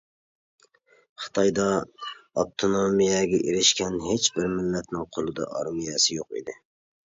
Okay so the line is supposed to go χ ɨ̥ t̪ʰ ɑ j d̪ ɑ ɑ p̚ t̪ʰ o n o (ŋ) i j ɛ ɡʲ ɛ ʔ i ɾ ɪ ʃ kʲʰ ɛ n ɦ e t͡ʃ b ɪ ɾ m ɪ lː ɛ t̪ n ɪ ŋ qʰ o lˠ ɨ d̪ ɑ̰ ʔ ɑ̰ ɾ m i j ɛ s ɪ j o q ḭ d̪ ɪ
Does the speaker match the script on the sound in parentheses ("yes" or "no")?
no